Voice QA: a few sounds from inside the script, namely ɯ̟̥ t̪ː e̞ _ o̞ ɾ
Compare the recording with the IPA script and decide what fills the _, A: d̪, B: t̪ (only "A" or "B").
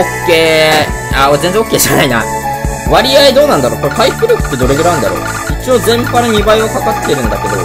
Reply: A